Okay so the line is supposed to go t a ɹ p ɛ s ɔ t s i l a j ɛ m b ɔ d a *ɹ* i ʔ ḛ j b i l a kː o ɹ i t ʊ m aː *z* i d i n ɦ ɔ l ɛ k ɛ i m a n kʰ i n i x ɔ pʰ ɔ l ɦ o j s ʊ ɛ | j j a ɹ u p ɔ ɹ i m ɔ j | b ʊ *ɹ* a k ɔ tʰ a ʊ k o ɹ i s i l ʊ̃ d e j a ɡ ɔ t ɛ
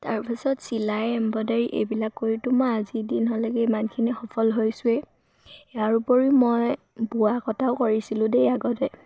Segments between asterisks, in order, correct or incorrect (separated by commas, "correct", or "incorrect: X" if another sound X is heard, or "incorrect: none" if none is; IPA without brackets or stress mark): correct, correct, incorrect: none